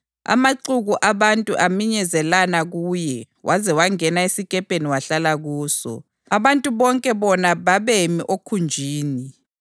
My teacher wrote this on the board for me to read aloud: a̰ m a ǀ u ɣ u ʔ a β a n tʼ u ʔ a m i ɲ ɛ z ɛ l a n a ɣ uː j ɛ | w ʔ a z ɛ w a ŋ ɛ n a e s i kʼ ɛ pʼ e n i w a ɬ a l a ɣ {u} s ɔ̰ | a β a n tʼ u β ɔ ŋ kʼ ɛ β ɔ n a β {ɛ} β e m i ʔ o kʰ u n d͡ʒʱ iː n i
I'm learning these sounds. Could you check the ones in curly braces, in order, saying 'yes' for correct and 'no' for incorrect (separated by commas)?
no, no